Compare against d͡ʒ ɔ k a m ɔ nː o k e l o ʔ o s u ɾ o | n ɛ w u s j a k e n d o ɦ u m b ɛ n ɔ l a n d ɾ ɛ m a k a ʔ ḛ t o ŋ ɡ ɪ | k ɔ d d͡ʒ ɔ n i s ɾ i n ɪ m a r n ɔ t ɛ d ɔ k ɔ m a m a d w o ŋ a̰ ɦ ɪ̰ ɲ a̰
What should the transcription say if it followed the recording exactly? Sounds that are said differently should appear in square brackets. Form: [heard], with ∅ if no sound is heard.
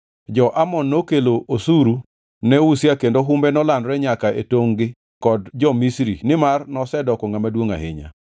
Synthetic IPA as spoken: d͡ʒ ɔ [ʔ] a m ɔ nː o k e l o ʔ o s u ɾ [u] | n ɛ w u s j a k e n d o ɦ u m b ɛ n ɔ l a n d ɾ ɛ [ɲ] a k a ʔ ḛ t o ŋ ɡ ɪ | k ɔ d d͡ʒ ɔ [m] i s ɾ i n ɪ m a r n ɔ [s] ɛ d ɔ k ɔ [ŋ] a m a d w o ŋ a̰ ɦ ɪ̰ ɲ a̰